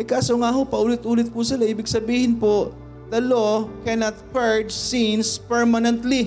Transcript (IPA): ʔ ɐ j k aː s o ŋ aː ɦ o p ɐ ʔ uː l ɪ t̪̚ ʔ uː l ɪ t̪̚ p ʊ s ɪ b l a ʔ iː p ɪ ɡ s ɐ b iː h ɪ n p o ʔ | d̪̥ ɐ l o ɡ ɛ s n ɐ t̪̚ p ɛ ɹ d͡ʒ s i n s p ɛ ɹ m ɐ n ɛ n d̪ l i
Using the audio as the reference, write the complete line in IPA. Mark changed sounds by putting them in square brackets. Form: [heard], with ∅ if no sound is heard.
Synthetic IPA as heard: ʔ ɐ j k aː s o ŋ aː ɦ o p ɐ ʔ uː l ɪ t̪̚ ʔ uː l ɪ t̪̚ p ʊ s ɪ [∅] l a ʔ iː [b] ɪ ɡ s ɐ b iː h ɪ n p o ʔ | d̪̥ ɐ l o [k] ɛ [∅] n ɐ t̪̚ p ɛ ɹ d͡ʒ s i n s p ɛ ɹ m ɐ n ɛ n [t̪] l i